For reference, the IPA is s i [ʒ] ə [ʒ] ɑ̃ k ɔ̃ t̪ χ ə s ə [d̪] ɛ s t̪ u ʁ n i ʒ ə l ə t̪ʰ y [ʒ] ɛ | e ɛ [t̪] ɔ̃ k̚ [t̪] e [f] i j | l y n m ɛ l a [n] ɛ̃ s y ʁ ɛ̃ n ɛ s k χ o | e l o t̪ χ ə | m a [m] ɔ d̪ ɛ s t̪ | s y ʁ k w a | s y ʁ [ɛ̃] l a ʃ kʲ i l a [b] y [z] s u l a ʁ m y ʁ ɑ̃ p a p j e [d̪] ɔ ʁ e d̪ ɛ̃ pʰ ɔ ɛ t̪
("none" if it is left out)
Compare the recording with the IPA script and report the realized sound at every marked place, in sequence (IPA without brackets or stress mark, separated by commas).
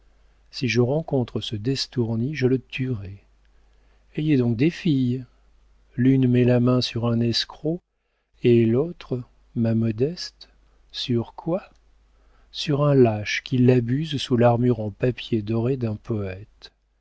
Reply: ʒ, ʁ, d̪, ʁ, d̪, d̪, f, m, m, ɛ̃, b, z, d̪